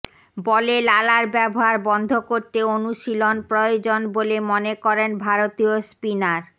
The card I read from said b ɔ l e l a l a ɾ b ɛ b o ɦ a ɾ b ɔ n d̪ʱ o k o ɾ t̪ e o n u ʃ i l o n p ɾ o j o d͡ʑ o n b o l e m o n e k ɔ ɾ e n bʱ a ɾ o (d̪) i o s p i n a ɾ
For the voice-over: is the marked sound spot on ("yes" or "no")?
no